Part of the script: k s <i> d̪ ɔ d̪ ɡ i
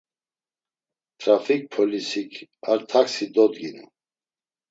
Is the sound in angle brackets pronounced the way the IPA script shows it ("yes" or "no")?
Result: yes